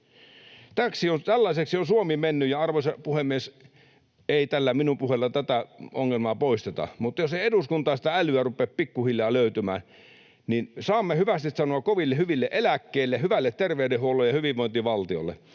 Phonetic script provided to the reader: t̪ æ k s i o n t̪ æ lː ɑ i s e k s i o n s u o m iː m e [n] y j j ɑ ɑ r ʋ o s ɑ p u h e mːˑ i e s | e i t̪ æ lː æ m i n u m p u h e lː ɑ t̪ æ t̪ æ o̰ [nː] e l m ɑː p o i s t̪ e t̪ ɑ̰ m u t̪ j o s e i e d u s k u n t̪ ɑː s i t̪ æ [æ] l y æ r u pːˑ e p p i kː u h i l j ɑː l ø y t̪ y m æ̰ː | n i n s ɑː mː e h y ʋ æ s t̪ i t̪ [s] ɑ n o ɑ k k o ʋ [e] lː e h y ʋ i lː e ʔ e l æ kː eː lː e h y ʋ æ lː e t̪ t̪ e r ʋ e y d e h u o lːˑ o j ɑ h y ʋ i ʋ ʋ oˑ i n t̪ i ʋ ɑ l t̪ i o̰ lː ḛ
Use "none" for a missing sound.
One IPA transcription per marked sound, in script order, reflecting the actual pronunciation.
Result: nː, ŋː, æ, s, i

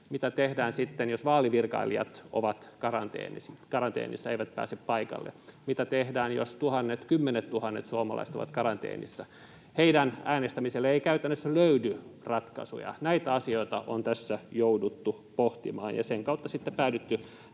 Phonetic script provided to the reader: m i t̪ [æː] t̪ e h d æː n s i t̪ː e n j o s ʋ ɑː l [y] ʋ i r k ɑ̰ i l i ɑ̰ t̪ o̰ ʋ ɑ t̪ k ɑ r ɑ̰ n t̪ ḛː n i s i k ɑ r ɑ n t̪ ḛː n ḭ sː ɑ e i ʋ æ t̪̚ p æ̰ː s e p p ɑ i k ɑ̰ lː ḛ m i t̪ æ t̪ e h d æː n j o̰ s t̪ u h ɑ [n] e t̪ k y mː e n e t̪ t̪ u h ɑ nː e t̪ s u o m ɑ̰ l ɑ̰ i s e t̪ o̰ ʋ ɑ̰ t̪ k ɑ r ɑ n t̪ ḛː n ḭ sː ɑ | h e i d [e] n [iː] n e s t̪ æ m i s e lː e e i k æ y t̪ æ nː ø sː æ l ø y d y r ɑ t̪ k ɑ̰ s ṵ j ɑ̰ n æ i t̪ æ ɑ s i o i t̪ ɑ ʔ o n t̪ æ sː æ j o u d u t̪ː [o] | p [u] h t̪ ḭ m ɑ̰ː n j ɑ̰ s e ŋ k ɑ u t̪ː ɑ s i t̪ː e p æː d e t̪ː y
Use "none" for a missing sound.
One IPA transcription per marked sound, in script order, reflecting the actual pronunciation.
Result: æ, i, nː, æ, æː, u, o

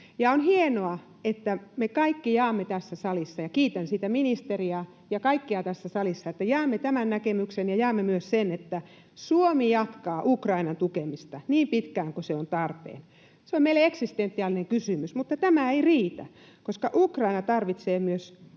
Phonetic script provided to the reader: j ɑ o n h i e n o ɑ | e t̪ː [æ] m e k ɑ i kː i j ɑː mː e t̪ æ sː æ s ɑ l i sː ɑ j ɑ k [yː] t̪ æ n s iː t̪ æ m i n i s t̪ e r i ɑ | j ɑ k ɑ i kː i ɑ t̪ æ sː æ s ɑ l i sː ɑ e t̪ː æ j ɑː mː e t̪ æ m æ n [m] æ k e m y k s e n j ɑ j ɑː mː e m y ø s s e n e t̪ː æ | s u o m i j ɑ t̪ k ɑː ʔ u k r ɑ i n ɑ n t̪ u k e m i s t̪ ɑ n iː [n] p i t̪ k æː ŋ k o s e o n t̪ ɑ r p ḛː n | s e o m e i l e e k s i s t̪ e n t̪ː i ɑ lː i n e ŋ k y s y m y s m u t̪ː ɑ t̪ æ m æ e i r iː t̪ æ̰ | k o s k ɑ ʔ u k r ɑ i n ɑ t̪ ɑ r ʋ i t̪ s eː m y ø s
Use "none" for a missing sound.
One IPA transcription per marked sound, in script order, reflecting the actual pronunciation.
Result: æ, iː, n, m

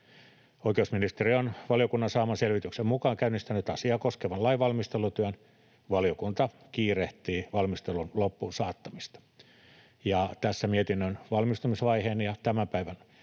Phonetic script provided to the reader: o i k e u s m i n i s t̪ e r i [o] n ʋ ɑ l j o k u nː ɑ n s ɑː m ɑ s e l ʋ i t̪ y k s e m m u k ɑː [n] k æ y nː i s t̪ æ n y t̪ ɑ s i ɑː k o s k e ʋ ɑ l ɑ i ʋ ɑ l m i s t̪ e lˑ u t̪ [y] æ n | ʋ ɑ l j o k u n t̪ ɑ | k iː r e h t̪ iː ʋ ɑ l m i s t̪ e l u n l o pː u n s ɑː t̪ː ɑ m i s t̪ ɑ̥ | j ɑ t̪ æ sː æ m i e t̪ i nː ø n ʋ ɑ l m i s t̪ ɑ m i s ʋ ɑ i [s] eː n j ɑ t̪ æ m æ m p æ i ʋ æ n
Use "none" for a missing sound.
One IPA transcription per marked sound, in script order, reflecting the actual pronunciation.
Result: o, ŋ, y, h

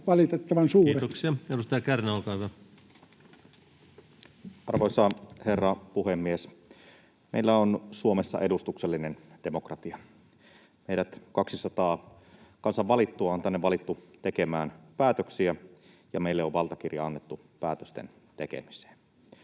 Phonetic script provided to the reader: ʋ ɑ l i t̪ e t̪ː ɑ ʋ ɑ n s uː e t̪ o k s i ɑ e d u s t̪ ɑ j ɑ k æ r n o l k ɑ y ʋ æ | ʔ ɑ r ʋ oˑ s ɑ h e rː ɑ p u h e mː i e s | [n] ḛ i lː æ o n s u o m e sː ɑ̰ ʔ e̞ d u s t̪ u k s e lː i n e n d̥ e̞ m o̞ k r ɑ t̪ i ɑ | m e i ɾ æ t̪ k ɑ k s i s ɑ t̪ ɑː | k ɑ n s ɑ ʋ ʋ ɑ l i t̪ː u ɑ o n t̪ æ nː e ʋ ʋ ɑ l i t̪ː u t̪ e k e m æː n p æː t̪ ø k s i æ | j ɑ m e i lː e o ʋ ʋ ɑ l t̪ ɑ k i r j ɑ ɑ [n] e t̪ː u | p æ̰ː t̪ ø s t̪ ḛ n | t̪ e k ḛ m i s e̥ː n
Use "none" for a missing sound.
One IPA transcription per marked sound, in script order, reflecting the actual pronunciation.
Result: m, nː

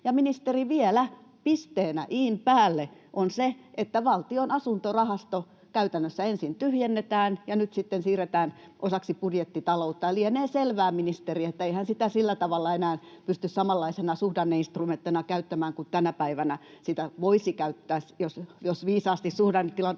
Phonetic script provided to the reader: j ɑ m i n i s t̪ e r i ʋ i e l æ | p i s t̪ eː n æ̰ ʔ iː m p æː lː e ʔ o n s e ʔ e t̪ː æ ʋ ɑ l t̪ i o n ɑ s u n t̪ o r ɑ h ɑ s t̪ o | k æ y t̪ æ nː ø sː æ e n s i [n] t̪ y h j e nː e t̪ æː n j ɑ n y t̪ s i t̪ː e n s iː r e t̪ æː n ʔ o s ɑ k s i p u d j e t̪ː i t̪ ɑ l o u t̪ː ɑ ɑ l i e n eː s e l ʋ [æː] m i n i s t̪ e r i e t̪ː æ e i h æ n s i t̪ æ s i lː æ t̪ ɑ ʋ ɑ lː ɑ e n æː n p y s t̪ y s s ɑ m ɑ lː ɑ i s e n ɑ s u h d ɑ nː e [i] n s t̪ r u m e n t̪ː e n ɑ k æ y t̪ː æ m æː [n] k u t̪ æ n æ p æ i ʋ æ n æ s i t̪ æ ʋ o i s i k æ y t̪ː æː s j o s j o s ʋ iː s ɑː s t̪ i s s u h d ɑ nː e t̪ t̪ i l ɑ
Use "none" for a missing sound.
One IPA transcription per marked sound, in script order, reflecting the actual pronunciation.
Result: n, æː, i, ŋ

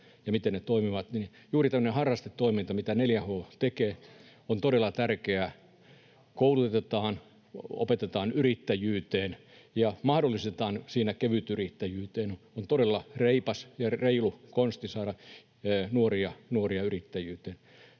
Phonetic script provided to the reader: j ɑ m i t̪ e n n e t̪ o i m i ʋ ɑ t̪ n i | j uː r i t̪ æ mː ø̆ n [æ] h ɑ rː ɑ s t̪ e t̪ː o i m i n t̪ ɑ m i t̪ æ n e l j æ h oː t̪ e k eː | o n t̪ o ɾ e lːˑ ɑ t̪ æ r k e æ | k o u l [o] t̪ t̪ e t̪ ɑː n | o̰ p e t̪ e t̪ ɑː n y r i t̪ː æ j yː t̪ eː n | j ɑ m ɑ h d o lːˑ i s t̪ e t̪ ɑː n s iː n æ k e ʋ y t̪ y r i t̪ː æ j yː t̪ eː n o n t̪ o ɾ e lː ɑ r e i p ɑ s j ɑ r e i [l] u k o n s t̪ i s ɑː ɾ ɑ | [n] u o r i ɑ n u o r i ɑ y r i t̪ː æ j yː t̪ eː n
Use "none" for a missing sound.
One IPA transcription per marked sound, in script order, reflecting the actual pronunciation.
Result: e, u, l, n

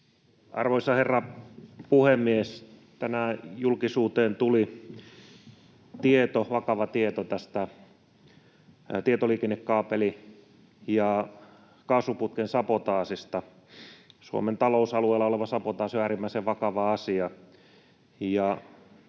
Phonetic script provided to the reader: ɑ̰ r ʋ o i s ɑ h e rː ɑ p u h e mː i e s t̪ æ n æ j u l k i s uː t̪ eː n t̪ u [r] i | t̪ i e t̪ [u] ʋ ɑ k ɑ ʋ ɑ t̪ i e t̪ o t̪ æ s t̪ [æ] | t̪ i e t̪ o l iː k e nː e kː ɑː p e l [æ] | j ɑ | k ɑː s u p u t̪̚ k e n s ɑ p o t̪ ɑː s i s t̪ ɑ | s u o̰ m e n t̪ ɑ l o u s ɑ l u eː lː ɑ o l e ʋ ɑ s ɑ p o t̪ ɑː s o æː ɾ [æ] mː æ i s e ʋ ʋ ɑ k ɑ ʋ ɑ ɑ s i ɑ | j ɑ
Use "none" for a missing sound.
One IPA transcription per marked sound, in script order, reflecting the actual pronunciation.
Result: l, o, æ, i, i

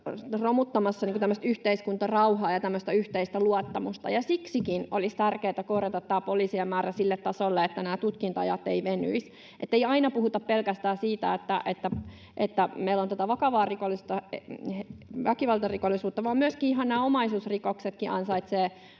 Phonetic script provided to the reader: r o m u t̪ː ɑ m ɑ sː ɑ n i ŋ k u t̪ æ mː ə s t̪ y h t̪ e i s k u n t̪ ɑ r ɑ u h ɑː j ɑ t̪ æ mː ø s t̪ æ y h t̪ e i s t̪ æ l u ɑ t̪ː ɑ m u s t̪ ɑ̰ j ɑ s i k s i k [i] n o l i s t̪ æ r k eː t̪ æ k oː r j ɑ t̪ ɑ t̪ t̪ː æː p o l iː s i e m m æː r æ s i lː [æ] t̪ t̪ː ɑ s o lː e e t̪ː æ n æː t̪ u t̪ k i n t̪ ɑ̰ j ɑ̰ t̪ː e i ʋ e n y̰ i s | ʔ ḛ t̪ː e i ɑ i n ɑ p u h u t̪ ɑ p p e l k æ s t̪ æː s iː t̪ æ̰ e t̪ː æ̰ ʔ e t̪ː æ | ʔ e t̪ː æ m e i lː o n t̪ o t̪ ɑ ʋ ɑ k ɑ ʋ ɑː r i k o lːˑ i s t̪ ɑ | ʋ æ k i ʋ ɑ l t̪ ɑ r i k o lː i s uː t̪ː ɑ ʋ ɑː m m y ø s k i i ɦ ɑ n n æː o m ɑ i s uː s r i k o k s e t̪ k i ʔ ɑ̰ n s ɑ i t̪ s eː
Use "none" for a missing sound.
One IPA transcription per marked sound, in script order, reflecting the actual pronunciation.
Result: i, e

